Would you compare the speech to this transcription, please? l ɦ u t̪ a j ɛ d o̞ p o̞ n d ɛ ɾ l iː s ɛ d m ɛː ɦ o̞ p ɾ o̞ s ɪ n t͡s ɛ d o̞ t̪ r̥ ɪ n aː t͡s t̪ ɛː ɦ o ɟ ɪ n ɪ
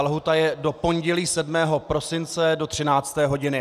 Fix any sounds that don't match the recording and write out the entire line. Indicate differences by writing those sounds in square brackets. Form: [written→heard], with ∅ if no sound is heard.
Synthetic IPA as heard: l ɦ u t̪ a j ɛ d o̞ p o̞ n [d→ɟ] ɛ [ɾ→∅] l iː s ɛ d m ɛː ɦ o̞ p ɾ o̞ s ɪ n t͡s ɛ d o̞ t̪ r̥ ɪ n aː t͡s t̪ ɛː ɦ o ɟ ɪ n ɪ